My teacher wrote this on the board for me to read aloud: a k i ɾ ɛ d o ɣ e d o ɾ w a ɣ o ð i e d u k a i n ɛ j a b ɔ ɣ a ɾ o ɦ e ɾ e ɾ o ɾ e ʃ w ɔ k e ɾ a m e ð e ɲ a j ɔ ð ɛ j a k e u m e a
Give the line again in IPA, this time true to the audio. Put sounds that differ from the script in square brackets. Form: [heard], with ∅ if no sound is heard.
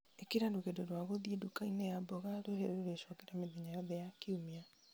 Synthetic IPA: [e] k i ɾ [a] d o ɣ e d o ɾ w a ɣ o ð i e d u k a i n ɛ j a b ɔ ɣ a ɾ o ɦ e ɾ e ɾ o ɾ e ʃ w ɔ k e ɾ a m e ð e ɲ a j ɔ ð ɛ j a k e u m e a

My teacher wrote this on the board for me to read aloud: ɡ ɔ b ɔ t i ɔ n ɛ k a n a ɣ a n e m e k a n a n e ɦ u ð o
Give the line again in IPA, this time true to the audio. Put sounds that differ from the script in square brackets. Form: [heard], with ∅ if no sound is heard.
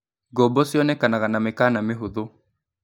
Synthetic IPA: ɡ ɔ b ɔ [s] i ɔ n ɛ k a n a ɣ a n [a] m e k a n a [m] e ɦ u ð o

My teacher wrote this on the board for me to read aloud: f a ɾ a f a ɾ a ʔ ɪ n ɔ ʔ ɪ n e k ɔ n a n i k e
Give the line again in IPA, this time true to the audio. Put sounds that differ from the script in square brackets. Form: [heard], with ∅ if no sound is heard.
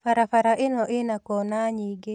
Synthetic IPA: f a ɾ a f a ɾ a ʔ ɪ n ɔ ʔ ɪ n [a] k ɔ n a [ɲ] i [ɡ] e

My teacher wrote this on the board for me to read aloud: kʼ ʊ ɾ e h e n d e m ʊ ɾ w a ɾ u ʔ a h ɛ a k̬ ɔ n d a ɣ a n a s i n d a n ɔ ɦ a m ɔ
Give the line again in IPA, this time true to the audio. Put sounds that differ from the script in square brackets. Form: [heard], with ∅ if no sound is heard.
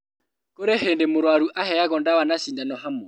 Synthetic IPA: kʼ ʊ ɾ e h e n d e m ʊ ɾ w a ɾ u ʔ a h ɛ a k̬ ɔ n d a [w] a n a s i n d a n ɔ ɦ a m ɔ

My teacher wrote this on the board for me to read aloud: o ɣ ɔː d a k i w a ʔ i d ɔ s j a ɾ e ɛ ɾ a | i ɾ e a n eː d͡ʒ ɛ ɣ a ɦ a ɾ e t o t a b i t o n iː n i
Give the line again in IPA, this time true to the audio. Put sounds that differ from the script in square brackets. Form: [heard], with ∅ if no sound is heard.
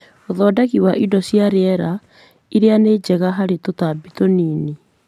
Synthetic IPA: o [ð] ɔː d a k i w a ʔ i d ɔ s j a ɾ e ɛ ɾ a | i ɾ e a n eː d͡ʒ ɛ ɣ a ɦ a ɾ e t o t a b i t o n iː n i

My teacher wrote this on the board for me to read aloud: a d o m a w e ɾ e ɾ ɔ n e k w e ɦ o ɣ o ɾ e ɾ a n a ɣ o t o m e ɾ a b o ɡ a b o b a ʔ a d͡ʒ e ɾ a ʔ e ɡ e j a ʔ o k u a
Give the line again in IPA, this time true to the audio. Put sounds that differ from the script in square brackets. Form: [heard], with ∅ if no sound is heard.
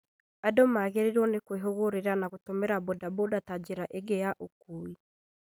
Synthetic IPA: a d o m a [ɣ] e ɾ e ɾ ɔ n e k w e ɦ o ɣ o ɾ e ɾ a n a ɣ o t o m e ɾ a b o [d] a b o [d] a [t] a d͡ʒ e ɾ a ʔ e ɡ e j a ʔ o k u [i]

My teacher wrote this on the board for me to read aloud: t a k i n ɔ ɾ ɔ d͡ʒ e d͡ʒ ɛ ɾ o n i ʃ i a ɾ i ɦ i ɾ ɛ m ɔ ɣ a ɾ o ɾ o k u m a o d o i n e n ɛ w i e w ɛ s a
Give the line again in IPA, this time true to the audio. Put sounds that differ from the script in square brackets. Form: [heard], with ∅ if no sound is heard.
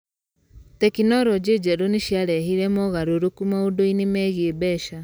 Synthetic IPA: t [ɛ] k i n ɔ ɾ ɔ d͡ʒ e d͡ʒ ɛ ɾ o n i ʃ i a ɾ [ɛ] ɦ i ɾ ɛ m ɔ ɣ a ɾ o ɾ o k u m a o d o i n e [m] ɛ [ɣ] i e [b] ɛ [ʃ] a

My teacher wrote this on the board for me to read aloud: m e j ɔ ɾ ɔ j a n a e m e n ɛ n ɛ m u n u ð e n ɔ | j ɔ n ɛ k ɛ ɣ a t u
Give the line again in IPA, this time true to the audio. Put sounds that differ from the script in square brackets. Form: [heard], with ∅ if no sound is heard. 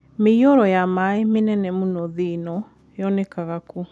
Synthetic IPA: m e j ɔ ɾ ɔ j a [m] a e m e n ɛ n ɛ m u n [ɔ] ð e n ɔ | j ɔ n ɛ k [a] ɣ a [k] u

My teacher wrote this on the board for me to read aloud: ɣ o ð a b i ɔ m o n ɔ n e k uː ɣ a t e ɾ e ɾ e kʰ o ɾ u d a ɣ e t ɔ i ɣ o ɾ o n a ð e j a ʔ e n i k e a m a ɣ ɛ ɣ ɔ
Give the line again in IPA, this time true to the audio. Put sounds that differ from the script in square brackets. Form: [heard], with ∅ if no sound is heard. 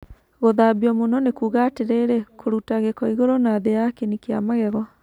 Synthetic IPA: ɣ o ð a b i ɔ m o n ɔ n e k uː ɣ a t e ɾ e ɾ e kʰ o ɾ u [t] a ɣ e [k] ɔ i ɣ o ɾ o n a ð e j a [k] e n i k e a m a ɣ ɛ ɣ ɔ

